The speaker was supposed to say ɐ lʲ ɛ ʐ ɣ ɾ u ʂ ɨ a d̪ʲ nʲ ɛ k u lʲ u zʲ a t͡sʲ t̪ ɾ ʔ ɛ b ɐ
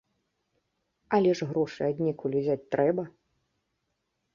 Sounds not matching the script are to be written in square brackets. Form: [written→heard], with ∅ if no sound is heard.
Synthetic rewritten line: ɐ lʲ ɛ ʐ ɣ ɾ [u→ɔ] ʂ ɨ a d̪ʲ nʲ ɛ k u lʲ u zʲ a t͡sʲ t̪ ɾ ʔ ɛ b ɐ

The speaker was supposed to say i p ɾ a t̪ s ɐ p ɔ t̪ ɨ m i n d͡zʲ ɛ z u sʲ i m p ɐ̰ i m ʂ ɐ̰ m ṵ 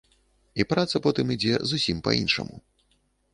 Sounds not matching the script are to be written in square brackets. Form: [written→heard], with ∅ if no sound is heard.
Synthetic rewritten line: i p ɾ a t̪ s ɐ p ɔ t̪ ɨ m i [n→∅] d͡zʲ ɛ z u sʲ i m p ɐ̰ i [m→n] ʂ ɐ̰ m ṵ

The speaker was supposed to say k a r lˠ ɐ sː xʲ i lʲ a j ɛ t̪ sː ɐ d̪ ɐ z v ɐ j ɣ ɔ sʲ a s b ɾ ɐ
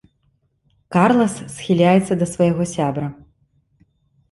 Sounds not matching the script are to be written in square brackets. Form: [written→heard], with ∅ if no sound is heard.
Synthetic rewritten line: k a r lˠ ɐ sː xʲ i lʲ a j ɛ t̪ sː ɐ d̪ ɐ [z→s] v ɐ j ɣ ɔ sʲ a [s→∅] b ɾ ɐ

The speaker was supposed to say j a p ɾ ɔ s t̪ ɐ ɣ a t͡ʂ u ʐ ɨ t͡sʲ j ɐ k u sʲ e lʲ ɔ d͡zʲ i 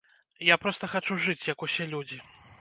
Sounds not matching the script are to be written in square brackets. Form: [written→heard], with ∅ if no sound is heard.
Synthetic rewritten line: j a p ɾ ɔ s t̪ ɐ [ɣ→x] a t͡ʂ u ʐ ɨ t͡sʲ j ɐ k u sʲ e lʲ [ɔ→u] d͡zʲ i

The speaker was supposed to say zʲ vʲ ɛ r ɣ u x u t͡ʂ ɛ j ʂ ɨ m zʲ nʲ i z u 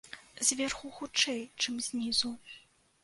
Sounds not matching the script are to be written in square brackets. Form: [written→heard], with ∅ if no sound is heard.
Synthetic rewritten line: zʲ vʲ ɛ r [ɣ→x] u x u t͡ʂ ɛ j [ʂ→t͡ʂ] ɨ m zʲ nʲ i z u

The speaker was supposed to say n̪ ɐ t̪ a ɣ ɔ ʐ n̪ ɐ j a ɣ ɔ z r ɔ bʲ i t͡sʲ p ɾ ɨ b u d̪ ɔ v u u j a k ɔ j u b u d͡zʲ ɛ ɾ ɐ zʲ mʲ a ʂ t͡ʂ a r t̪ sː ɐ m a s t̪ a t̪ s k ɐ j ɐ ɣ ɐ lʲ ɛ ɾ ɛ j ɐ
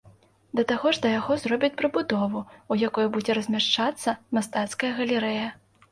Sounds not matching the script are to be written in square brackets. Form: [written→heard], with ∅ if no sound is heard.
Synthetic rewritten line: [n̪→d̪] ɐ t̪ a ɣ ɔ ʐ [n̪→d̪] ɐ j a ɣ ɔ z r ɔ bʲ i t͡sʲ p ɾ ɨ b u d̪ ɔ v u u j a k ɔ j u b u d͡zʲ ɛ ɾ ɐ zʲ mʲ a ʂ t͡ʂ a [r→∅] t̪ sː ɐ m a s t̪ a t̪ s k ɐ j ɐ ɣ ɐ lʲ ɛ ɾ ɛ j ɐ

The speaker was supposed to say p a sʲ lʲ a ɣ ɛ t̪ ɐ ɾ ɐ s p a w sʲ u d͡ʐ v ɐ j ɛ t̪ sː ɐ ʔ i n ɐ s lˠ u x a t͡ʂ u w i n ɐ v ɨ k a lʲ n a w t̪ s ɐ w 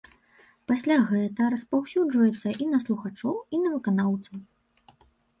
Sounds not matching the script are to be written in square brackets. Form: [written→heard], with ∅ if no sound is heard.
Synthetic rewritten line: p a sʲ lʲ a ɣ ɛ t̪ ɐ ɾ ɐ s p a w sʲ u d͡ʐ v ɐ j ɛ t̪ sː ɐ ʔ i n ɐ s lˠ u x a t͡ʂ [u→ɔ] w i n ɐ v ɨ k a [lʲ→∅] n a w t̪ s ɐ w

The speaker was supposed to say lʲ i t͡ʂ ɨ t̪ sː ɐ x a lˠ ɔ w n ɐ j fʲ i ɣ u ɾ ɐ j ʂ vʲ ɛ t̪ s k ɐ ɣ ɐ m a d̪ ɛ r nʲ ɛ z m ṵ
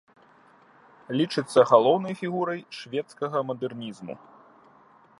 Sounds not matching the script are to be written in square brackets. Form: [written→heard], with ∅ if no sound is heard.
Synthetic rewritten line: lʲ i t͡ʂ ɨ t̪ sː ɐ [x→ɣ] a lˠ ɔ w n ɐ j fʲ i ɣ u ɾ ɐ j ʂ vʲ ɛ t̪ s k ɐ ɣ ɐ m [a→ɐ] d̪ ɛ r nʲ [ɛ→i] z m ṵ

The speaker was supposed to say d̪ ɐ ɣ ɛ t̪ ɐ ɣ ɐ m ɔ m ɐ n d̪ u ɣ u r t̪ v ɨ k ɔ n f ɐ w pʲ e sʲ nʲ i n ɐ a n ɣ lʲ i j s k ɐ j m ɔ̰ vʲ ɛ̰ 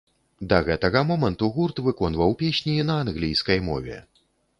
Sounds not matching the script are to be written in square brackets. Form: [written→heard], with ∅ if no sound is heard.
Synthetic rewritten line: d̪ ɐ ɣ ɛ t̪ ɐ ɣ ɐ m ɔ m ɐ n [d̪→t̪] u ɣ u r t̪ v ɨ k ɔ n [f→v] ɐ w pʲ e sʲ nʲ i n ɐ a n ɣ lʲ i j s k ɐ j m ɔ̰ vʲ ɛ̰

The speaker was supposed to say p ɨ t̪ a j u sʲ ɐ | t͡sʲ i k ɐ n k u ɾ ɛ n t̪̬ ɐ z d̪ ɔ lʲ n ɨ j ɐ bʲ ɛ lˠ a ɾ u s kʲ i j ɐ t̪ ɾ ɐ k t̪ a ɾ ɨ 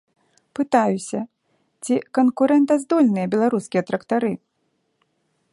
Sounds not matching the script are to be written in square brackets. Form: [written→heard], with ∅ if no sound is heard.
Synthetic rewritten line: p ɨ t̪ a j u sʲ ɐ | t͡sʲ i k ɐ n k u ɾ ɛ n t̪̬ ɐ z d̪ ɔ lʲ n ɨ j ɐ bʲ ɛ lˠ a ɾ u s kʲ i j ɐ t̪ ɾ ɐ k t̪ a ɾ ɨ

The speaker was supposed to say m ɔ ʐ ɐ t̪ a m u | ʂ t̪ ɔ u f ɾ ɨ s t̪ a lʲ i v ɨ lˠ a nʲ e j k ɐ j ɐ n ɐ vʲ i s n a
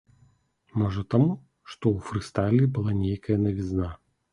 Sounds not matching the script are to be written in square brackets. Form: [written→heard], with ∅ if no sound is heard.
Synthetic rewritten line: m ɔ ʐ ɐ t̪ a m u | ʂ t̪ ɔ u f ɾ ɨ s t̪ a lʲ i [v→b] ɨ lˠ a nʲ e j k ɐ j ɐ n ɐ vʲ i [s→z] n a

